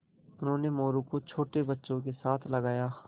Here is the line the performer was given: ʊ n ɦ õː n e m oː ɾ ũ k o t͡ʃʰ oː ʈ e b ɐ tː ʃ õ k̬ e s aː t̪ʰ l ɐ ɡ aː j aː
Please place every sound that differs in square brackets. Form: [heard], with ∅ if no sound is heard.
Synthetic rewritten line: ʊ n ɦ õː n e m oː ɾ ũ k o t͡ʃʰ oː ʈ e b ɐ tː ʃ õ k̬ e s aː t̪ʰ l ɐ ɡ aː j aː